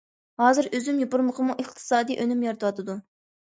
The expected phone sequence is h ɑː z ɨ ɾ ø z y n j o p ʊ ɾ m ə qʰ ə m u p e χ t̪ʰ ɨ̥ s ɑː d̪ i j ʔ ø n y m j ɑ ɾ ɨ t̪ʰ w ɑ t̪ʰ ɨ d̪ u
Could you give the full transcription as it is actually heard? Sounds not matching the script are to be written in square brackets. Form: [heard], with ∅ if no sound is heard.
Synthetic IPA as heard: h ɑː z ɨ ɾ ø z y [m] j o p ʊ ɾ m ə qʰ ə m u [ʔ] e χ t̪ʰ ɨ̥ s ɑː d̪ i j ʔ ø n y m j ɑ ɾ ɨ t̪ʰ w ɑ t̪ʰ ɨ d̪ u